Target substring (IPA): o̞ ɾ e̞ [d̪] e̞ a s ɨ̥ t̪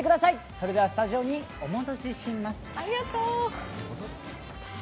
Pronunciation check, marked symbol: correct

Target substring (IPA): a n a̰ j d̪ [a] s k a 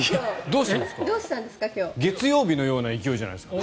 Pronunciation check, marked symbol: incorrect: e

